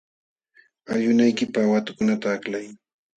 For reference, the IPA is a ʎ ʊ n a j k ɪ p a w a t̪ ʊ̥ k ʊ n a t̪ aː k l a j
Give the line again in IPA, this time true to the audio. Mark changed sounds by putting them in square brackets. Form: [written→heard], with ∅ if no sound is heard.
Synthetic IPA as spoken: a ʎ ʊ n a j k ɪ p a w a t̪ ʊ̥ k ʊ n a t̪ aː k l a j